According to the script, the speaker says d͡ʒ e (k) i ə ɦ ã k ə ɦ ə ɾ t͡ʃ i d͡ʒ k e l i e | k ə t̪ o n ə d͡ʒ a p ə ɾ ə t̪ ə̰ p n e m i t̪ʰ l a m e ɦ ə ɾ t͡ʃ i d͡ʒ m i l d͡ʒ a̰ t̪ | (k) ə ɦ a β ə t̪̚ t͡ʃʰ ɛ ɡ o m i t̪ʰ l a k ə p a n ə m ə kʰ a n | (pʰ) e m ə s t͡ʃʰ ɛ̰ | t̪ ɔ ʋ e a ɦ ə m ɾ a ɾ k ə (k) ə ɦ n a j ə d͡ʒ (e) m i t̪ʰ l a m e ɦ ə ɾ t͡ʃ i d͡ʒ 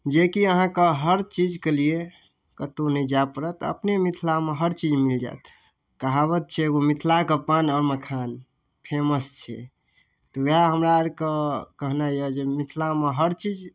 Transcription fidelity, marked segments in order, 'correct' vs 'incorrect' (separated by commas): correct, correct, correct, correct, correct